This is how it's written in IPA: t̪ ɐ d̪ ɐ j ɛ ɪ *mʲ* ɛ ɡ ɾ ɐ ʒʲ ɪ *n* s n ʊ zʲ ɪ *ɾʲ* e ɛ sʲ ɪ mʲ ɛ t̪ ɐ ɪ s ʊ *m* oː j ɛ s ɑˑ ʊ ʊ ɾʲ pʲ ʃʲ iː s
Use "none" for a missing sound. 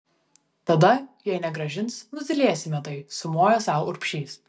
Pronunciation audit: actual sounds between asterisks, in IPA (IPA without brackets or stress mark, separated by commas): nʲ, n, lʲ, m